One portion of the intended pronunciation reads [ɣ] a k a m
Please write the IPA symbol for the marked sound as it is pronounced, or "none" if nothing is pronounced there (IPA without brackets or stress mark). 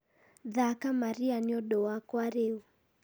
ð